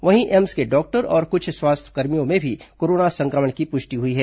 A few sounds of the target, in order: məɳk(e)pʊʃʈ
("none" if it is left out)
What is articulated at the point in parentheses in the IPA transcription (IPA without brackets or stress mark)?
i